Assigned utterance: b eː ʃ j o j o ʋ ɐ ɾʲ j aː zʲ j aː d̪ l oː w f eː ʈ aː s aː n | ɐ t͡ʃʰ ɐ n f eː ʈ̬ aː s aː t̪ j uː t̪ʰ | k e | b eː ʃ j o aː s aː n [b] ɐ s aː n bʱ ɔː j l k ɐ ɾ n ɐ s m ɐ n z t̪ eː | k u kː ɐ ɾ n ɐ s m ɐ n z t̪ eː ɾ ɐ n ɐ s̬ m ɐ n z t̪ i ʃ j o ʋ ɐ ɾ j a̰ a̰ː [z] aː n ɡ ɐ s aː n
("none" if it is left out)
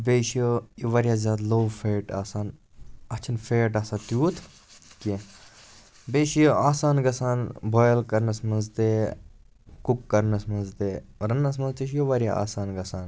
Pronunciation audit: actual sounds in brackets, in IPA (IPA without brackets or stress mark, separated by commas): ɡ, s